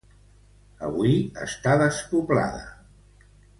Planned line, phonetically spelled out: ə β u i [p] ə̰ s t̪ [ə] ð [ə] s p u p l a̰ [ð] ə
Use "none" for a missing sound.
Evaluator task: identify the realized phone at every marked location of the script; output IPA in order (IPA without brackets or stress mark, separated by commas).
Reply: none, a, ə, ð